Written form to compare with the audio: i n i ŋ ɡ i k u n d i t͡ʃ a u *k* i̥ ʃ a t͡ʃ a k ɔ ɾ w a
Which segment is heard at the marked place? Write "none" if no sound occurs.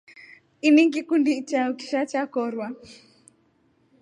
k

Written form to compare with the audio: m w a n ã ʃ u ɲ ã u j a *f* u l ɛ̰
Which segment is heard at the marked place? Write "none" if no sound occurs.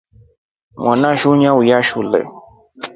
ʃ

